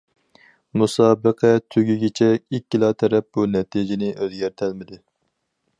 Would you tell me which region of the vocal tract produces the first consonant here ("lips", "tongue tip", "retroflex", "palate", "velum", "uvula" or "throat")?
lips